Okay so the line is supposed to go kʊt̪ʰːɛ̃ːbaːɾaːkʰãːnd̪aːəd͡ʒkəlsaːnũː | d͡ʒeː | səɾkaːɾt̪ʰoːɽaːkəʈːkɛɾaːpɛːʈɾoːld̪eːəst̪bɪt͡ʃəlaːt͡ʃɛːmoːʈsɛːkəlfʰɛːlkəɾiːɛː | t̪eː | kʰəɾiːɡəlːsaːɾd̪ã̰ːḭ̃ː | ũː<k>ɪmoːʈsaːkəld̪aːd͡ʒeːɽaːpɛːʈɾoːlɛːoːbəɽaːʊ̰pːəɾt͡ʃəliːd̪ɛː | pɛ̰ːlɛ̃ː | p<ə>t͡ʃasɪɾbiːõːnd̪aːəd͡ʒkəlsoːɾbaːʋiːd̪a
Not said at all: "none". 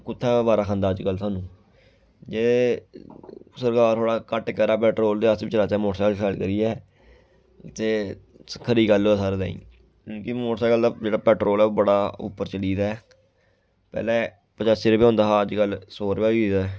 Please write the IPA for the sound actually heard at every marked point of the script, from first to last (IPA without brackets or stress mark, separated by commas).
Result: k, ə